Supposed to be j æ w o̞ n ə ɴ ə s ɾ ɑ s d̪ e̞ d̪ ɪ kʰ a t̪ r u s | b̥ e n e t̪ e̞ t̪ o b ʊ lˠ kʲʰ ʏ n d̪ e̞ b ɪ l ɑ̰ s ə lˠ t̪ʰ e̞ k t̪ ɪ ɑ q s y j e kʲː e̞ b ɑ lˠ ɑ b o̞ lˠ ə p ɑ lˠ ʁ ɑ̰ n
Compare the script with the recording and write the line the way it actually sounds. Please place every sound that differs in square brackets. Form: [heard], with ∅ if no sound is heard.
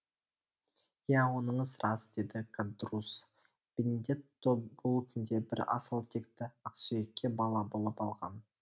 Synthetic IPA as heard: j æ w o̞ n ə ɴ ə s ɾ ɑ s d̪ e̞ d̪ ɪ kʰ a [d̪] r u s | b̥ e n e [d̪] e̞ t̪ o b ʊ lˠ kʲʰ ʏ n d̪ e̞ b ɪ [ɾ] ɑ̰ s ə lˠ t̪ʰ e̞ k t̪ ɪ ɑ q s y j e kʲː e̞ b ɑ lˠ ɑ b o̞ lˠ ə p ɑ lˠ ʁ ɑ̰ n